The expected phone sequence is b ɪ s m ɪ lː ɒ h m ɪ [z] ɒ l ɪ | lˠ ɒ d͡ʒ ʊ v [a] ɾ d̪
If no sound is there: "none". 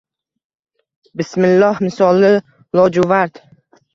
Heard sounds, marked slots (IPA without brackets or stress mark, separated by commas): s, a